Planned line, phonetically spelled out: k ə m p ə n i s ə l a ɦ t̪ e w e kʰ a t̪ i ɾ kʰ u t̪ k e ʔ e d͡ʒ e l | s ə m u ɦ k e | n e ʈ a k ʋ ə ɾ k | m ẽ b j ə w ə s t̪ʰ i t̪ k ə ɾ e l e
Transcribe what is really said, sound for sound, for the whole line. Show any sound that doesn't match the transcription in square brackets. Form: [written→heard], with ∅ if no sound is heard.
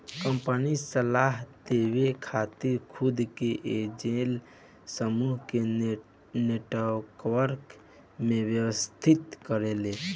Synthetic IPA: k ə m p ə n i s ə l a ɦ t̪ e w e kʰ a t̪ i ɾ kʰ u [t̪→d̪] k e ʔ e d͡ʒ e l | s ə m u ɦ k e | n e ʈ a k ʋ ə ɾ k | m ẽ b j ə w ə s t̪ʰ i t̪ k ə ɾ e l e

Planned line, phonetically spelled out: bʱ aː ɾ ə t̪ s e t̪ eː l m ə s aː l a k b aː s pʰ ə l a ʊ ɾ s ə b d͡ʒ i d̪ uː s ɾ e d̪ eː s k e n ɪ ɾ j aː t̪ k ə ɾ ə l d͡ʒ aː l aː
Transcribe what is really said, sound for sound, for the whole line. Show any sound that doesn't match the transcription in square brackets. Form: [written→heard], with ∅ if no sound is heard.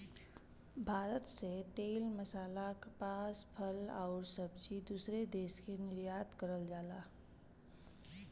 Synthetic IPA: bʱ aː ɾ ə t̪ s e t̪ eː l m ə s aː l a k [b→p] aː s pʰ ə l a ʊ ɾ s ə b d͡ʒ i d̪ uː s ɾ e d̪ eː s k e n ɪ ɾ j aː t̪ k ə ɾ ə l d͡ʒ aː l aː

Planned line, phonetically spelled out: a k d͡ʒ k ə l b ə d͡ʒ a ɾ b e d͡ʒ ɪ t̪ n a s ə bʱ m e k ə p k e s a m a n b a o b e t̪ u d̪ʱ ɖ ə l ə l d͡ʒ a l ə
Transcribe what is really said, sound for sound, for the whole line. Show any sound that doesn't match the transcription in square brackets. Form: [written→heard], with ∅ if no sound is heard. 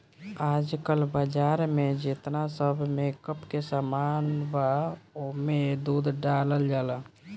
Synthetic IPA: a [k→∅] d͡ʒ k ə l b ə d͡ʒ a ɾ [b→m] e d͡ʒ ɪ t̪ n a s ə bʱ m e k ə p k e s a m a n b a o [b→m] e [t̪→d̪] u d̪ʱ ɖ [ə→a] l ə l d͡ʒ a l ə

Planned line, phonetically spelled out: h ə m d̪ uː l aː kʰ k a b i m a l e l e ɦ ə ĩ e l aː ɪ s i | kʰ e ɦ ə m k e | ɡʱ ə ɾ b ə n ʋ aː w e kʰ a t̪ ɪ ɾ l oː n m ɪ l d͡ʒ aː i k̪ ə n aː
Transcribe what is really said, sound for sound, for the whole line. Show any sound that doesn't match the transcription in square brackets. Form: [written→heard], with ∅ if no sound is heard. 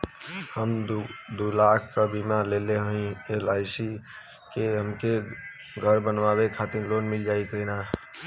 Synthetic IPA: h ə m d̪ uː l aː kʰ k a b i m a l e l e ɦ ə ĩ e l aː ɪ s i | [kʰ→k] e ɦ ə m k e | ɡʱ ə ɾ b ə n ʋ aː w e kʰ a t̪ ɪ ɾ l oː n m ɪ l d͡ʒ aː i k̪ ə n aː

